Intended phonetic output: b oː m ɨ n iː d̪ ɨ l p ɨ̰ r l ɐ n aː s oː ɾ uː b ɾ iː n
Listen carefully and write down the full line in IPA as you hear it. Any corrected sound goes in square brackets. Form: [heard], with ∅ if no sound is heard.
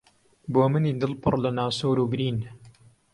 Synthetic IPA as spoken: b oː m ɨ n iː d̪ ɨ l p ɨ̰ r l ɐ n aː s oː ɾ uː b ɾ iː n